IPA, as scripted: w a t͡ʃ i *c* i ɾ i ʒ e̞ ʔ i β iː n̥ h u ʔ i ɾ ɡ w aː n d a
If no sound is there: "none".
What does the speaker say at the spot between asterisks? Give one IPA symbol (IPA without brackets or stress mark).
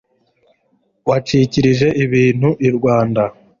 c